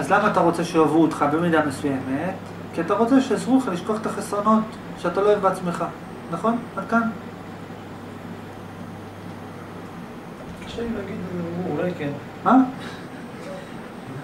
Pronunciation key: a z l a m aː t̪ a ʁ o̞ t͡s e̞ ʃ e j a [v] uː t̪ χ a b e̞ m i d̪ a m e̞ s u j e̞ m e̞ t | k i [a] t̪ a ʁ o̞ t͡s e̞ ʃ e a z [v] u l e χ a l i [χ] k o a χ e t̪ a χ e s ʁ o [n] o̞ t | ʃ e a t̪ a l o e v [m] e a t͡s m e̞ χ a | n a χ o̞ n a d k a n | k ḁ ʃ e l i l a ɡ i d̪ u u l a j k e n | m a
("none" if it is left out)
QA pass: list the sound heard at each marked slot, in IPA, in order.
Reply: v, a, ʁ, ʃ, n, b

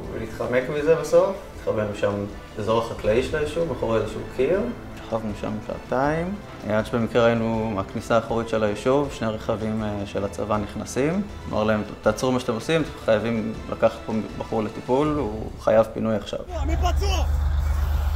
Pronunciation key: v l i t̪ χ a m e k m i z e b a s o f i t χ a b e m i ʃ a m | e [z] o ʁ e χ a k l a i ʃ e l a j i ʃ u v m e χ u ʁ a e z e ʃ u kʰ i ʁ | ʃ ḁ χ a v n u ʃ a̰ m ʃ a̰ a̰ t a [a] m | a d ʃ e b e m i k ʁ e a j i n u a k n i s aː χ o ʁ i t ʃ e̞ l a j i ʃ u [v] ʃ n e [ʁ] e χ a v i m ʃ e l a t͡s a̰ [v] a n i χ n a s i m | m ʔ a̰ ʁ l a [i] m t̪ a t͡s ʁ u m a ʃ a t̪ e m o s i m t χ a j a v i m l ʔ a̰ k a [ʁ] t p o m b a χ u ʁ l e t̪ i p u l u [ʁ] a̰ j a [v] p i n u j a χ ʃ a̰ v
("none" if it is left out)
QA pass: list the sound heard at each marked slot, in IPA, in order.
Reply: z, i, v, ʁ, v, e, χ, χ, v

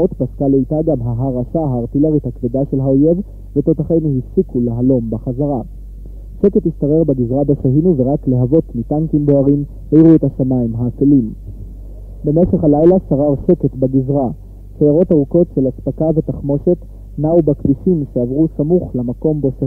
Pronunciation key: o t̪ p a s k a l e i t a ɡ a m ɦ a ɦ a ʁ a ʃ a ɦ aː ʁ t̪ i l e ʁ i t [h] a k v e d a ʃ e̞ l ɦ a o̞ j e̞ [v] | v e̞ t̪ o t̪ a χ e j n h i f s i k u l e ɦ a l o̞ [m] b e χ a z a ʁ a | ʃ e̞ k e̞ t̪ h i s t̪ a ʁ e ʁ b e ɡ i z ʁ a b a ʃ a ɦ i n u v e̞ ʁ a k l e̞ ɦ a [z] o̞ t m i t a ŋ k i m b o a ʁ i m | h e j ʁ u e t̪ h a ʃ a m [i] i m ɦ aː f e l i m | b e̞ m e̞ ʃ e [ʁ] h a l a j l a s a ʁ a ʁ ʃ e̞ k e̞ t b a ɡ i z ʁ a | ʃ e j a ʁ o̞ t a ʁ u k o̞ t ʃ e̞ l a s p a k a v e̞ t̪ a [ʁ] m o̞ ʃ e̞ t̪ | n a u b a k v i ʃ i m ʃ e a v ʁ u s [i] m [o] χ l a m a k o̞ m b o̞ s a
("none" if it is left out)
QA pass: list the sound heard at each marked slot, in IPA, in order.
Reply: h, v, m, v, a, χ, χ, a, u

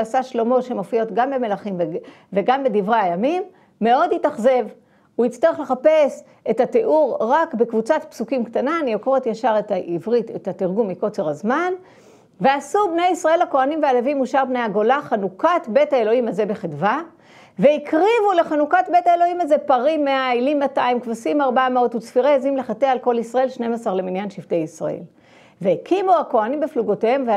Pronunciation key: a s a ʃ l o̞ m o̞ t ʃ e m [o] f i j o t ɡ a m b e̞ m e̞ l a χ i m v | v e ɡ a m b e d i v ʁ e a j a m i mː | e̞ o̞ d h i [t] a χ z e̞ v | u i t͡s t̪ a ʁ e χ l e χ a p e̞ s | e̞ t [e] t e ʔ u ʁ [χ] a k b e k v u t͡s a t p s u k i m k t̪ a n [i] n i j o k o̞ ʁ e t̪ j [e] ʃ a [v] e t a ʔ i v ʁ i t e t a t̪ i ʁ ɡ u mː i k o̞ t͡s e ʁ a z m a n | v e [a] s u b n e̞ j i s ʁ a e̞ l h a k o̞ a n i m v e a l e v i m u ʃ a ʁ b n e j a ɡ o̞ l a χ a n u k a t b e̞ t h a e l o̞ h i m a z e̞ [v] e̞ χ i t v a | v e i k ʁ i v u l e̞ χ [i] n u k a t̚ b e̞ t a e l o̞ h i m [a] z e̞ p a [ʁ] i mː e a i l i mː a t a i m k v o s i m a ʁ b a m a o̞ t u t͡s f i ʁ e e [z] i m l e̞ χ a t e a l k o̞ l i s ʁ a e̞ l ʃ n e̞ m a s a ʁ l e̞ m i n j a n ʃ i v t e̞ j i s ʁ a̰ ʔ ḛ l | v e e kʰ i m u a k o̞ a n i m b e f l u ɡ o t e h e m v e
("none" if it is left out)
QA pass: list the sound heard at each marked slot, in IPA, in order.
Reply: o, t, a, ʁ, a, a, ʁ, a, b, a, a, ʁ, z

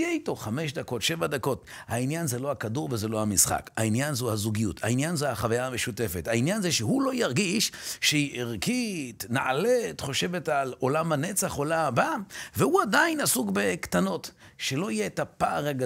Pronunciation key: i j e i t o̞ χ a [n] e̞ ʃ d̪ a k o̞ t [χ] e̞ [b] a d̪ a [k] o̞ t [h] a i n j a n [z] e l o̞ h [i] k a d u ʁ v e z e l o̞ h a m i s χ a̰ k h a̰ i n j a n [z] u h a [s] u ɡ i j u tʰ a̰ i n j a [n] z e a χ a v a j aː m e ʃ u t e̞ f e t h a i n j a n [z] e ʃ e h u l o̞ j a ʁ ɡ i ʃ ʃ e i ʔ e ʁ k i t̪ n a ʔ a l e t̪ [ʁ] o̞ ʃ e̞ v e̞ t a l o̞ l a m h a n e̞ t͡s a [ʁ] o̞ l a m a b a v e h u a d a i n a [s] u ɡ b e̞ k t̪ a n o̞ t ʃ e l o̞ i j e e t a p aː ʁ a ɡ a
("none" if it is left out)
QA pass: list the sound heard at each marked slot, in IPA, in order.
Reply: m, ʃ, v, k, h, z, a, z, z, n, z, χ, χ, s

